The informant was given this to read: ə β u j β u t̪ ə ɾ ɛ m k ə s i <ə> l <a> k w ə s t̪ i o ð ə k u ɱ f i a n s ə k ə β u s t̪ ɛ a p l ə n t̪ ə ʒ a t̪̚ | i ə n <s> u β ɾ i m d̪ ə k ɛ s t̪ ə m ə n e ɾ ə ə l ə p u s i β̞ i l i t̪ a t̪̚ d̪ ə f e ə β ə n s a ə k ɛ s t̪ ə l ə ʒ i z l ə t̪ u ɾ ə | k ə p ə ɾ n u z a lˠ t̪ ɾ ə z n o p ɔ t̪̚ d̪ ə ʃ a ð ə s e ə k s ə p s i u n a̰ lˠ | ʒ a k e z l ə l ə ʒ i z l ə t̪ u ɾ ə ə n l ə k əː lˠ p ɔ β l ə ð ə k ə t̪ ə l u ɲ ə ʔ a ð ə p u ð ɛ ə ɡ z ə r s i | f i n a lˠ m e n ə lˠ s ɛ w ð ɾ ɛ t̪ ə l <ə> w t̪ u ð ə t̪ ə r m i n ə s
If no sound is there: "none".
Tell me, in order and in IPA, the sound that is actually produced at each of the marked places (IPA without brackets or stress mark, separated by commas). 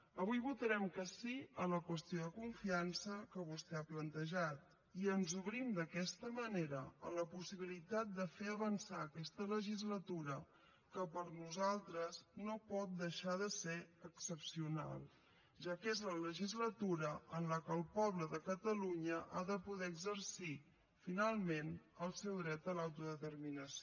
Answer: ə, ə, z, a